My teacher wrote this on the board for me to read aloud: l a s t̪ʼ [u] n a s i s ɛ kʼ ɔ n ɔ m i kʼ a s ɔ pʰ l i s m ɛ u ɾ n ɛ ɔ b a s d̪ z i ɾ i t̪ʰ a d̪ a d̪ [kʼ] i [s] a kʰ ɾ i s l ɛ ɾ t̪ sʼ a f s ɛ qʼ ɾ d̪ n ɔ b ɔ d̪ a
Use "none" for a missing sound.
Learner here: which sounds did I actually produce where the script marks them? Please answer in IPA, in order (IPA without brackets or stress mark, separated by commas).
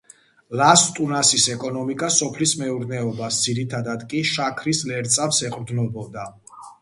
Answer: u, kʼ, ʃ